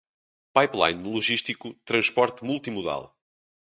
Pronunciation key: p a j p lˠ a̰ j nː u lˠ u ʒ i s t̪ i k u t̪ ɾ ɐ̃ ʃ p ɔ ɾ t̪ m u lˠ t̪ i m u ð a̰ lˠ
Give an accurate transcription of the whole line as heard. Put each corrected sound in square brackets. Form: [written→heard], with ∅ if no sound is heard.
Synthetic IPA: p a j p lˠ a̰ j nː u lˠ u ʒ i [s→ʃ] t̪ i k u t̪ ɾ ɐ̃ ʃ p ɔ ɾ t̪ m u lˠ t̪ i m u ð a̰ lˠ